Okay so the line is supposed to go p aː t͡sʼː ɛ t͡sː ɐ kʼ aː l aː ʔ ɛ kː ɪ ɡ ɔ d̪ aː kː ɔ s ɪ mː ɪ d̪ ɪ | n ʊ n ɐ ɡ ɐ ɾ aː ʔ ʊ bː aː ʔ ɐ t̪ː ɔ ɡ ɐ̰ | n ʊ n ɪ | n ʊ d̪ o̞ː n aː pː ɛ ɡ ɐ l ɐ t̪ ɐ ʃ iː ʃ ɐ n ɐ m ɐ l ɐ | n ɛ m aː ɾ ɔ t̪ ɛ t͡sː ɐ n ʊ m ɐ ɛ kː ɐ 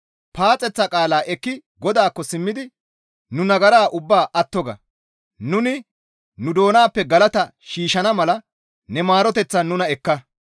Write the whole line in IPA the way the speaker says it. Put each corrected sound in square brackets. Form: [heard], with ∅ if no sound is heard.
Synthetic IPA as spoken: p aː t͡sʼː ɛ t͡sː ɐ kʼ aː l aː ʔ ɛ kː ɪ ɡ ɔ d̪ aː kː ɔ s ɪ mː ɪ d̪ ɪ | n ʊ n ɐ ɡ ɐ ɾ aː ʔ ʊ bː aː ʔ ɐ t̪ː ɔ ɡ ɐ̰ | n ʊ n ɪ | n ʊ d̪ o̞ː n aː pː ɛ ɡ ɐ l ɐ t̪ ɐ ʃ iː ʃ ɐ n ɐ m ɐ l ɐ | n ɛ m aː ɾ ɔ t̪ ɛ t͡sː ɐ n ʊ [n] ɐ ɛ kː ɐ